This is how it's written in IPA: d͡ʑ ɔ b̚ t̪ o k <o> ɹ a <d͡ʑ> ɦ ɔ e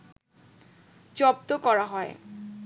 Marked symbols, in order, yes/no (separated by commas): no, no